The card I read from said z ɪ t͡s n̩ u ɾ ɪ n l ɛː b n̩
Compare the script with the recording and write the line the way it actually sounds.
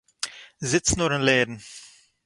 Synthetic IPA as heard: z ɪ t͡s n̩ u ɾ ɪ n l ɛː d n̩